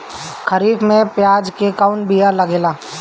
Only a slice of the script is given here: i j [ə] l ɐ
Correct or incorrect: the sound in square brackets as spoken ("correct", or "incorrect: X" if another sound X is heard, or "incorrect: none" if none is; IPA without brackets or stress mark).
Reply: incorrect: a